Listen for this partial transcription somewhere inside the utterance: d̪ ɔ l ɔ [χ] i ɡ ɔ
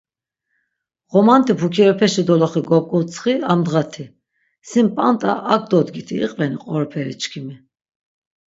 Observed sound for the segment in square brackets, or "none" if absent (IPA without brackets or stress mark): χ